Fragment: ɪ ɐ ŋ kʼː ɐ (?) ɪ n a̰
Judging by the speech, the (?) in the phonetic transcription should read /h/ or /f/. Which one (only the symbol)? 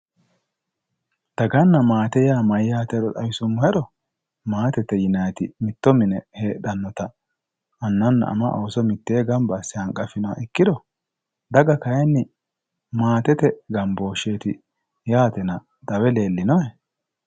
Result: f